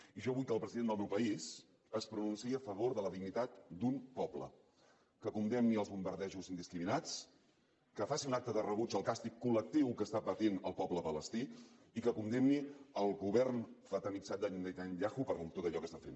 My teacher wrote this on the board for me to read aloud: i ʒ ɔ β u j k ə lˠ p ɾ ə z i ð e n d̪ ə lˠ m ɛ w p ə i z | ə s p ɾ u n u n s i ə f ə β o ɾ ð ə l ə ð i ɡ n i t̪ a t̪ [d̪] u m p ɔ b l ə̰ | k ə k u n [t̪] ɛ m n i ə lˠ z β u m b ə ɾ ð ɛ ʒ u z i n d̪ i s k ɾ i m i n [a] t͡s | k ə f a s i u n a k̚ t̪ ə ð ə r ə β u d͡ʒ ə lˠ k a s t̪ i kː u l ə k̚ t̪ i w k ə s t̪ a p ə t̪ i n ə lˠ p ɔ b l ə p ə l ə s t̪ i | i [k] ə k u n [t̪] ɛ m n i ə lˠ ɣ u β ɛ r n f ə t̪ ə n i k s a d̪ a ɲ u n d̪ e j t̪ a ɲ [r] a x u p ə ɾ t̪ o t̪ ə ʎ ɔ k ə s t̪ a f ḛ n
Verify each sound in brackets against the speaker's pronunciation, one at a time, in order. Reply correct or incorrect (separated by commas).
correct, incorrect, correct, correct, incorrect, incorrect